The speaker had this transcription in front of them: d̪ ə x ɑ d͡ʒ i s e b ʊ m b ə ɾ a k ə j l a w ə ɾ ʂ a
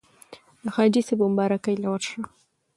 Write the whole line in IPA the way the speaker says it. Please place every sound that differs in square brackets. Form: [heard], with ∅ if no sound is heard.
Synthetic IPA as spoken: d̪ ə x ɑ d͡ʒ i s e b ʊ m b [ɑ] ɾ a k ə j l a w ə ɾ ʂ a